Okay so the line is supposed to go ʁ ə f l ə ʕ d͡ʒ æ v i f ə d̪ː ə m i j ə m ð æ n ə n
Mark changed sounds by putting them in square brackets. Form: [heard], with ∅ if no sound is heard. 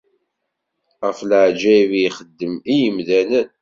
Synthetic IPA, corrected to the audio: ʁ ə f l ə ʕ d͡ʒ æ v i [χ] ə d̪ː ə m i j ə m ð æ n ə n